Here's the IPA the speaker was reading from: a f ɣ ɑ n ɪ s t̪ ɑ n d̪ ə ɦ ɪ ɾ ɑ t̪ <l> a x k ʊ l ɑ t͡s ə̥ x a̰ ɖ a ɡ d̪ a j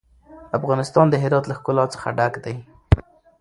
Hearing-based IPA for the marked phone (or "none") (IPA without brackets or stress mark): l